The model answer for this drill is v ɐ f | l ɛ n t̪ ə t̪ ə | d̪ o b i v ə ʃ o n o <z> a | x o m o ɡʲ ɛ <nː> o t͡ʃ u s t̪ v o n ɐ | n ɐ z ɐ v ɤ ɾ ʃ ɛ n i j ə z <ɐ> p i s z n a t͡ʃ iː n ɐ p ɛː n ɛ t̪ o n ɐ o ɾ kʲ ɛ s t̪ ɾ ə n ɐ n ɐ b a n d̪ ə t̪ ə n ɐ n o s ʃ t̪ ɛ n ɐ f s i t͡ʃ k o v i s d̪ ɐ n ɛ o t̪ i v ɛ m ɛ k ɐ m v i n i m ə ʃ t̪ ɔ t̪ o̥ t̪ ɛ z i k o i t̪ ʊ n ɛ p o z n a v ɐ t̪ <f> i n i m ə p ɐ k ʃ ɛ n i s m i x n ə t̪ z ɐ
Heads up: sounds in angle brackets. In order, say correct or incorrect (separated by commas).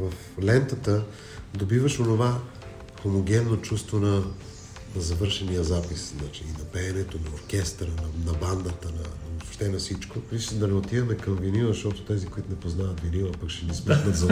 incorrect, correct, incorrect, incorrect